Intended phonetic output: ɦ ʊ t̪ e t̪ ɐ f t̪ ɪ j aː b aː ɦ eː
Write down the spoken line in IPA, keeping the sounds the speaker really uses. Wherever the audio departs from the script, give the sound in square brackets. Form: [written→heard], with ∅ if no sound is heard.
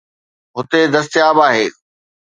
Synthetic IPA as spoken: ɦ ʊ t̪ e [t̪→d̪] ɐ [f→s] t̪ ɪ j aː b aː ɦ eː